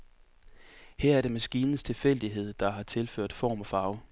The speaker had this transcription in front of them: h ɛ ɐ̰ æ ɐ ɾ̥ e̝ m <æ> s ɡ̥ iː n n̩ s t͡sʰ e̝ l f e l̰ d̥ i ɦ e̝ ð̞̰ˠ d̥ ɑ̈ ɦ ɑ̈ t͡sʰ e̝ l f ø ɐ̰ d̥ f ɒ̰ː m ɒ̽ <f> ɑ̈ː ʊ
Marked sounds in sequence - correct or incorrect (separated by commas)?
correct, correct